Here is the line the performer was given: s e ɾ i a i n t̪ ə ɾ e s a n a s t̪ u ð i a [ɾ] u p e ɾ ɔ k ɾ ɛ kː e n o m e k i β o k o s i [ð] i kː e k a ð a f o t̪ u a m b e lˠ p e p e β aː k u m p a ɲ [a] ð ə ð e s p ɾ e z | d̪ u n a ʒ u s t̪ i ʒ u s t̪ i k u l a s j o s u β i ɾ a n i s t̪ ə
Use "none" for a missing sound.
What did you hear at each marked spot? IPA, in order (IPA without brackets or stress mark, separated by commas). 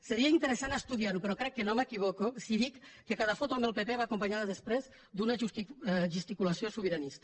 ɾ, ð, a